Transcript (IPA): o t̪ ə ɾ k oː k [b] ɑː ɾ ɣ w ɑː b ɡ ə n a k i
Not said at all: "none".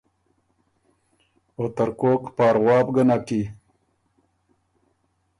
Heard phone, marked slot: p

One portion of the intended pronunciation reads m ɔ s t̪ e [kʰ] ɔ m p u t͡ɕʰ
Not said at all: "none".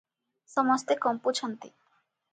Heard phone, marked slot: k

